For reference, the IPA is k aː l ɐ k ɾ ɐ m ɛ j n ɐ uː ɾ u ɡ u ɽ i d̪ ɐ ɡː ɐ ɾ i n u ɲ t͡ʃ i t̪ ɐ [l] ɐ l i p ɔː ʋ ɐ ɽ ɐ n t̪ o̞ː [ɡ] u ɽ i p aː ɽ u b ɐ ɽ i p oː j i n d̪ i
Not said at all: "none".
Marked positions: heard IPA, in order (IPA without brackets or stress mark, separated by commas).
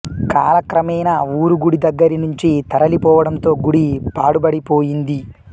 ɾ, ɡ